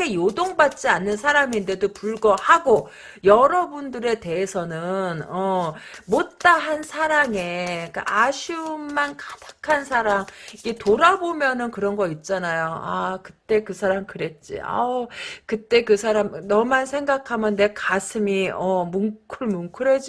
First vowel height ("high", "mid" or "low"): mid